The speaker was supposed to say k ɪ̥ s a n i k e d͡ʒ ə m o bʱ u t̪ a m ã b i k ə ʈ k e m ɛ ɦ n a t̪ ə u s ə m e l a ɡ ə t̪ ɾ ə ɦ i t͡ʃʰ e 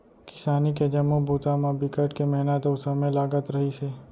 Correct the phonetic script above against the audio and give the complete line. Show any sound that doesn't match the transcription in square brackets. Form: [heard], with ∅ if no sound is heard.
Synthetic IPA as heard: k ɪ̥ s a n i k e d͡ʒ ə m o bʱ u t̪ a m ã b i k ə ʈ k e m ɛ ɦ n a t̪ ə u s ə m e l a ɡ ə t̪ ɾ ə ɦ i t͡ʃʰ e